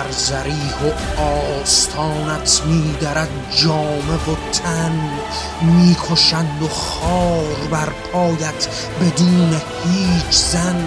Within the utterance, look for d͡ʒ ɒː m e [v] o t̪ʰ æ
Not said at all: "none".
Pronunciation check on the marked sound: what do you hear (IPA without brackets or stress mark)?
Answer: v